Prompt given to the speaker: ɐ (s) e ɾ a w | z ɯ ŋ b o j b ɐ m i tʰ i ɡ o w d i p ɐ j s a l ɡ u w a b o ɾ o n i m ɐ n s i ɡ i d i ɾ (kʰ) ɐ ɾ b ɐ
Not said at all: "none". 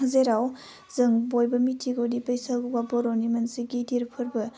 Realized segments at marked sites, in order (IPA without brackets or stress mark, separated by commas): z, pʰ